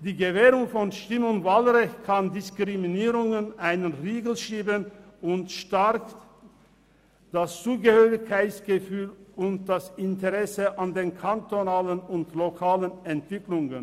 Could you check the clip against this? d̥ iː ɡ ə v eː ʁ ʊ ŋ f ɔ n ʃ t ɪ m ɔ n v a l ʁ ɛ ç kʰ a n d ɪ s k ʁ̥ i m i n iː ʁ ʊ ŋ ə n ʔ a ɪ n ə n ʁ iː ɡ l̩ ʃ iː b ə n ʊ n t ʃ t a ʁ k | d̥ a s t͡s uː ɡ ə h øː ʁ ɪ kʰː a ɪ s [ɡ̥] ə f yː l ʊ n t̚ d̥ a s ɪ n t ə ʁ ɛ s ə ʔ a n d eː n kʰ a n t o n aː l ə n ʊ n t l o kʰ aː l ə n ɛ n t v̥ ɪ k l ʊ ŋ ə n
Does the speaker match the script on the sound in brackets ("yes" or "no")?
yes